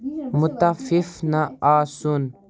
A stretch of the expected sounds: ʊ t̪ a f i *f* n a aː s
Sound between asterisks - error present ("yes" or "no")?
no